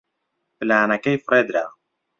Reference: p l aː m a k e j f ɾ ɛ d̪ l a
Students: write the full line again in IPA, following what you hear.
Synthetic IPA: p l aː n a k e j f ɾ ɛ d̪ ɾ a